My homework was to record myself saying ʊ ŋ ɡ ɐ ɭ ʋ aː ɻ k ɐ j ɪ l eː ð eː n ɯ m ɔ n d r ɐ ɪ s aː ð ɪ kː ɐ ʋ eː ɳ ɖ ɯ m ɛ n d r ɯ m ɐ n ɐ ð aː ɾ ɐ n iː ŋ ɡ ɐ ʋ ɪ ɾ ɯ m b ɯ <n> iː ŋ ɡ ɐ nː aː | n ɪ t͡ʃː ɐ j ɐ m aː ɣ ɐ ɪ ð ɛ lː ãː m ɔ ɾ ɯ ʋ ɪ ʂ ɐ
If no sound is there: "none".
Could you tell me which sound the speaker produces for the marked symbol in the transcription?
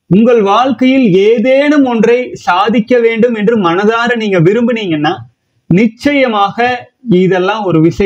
n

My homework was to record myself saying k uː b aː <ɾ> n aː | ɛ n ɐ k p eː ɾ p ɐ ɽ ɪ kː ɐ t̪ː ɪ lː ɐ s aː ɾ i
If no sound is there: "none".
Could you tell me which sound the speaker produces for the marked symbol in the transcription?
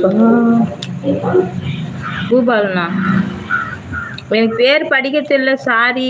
l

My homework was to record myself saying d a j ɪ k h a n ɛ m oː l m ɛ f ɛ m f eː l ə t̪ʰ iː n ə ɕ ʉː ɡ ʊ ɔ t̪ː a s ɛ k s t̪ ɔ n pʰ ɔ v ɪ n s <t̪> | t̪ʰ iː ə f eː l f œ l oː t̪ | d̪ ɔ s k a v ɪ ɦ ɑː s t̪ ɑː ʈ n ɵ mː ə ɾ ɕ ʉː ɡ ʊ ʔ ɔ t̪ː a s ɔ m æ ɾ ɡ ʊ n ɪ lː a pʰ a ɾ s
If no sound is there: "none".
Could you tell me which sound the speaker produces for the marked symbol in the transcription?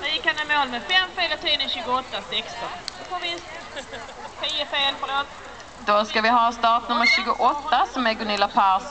t̪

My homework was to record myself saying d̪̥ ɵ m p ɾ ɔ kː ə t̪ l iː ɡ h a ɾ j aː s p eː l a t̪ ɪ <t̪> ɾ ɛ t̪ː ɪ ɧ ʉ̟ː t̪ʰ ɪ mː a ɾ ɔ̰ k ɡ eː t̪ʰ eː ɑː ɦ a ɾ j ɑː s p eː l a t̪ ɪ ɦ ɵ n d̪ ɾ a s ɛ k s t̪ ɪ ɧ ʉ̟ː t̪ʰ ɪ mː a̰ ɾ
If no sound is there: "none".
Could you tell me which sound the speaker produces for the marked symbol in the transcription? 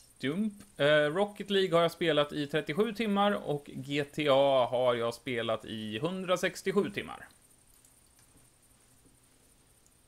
t̪ʰ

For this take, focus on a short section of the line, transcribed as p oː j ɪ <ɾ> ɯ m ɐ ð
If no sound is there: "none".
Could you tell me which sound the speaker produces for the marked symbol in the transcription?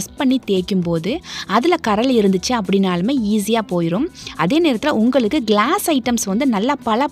ɾ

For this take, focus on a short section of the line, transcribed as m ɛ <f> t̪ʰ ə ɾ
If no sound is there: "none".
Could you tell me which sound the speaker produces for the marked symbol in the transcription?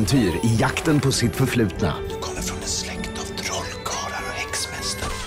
s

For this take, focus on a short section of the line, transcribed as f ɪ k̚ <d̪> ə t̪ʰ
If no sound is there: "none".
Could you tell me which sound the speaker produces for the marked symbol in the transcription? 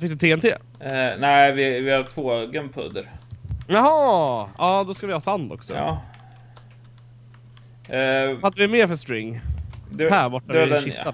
d̪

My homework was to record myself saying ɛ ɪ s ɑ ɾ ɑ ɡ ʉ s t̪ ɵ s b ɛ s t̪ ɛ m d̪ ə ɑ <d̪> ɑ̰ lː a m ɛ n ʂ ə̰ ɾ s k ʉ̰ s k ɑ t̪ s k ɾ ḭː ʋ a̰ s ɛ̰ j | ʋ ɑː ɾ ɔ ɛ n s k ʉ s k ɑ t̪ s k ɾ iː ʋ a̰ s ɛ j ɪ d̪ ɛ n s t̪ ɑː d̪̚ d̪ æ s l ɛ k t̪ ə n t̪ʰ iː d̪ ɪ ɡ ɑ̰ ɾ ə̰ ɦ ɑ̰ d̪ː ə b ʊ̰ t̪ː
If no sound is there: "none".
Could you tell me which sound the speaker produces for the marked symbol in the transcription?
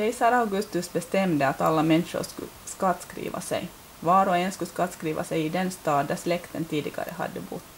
t̪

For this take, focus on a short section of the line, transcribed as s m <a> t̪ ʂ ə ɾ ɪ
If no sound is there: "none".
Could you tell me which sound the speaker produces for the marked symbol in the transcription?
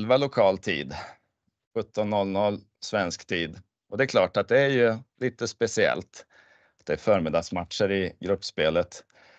a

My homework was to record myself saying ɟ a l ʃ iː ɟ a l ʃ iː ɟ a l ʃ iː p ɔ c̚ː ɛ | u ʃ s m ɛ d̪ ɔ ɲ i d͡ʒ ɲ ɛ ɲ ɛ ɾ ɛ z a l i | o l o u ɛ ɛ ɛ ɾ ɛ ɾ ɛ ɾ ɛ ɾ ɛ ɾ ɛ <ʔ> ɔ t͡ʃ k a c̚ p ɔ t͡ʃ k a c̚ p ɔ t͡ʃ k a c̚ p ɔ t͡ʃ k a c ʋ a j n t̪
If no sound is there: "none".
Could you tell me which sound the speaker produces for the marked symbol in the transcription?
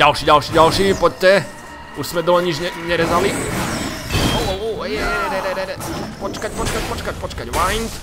p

